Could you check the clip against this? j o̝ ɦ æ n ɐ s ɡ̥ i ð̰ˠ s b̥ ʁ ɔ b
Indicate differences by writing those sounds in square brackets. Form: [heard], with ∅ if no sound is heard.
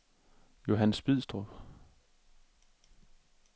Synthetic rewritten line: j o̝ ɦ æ n [ə] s [b̥] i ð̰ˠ s [d̥] ʁ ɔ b